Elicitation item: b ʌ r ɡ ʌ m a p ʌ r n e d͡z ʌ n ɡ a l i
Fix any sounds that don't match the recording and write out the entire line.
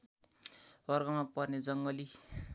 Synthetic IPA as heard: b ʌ r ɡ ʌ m a p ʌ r n e d͡z ʌ ŋ ɡ ʌ l i